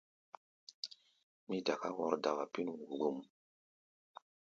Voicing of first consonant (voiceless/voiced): voiced